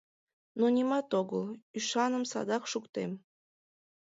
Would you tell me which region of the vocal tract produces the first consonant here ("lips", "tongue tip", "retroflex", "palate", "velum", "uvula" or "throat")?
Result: tongue tip